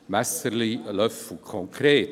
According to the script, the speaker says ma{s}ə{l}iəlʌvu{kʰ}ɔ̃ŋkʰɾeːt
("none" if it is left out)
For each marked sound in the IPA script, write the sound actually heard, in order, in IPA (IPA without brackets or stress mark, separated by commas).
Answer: s, l, kʰ